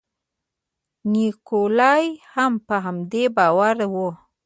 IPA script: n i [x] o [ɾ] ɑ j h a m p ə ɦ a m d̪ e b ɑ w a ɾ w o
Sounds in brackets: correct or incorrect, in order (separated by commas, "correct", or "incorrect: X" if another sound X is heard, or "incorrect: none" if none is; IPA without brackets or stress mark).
incorrect: k, incorrect: l